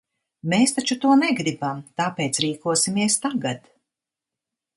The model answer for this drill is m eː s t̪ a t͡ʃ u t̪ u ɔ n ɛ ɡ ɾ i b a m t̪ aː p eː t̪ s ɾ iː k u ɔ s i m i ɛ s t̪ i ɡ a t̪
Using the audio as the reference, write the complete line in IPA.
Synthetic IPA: m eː s t̪ a t͡ʃ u t̪ u ɔ n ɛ ɡ ɾ i b a m t̪ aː p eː t̪ s ɾ iː k u ɔ s i m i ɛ s t̪ a ɡ a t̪